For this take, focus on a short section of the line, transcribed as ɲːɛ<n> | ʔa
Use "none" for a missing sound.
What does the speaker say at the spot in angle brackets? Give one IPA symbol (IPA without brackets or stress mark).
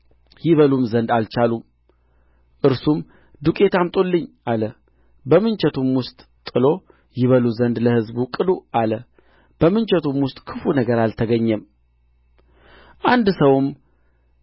m